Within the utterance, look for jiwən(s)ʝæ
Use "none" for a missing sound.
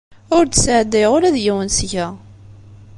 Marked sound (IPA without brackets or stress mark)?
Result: s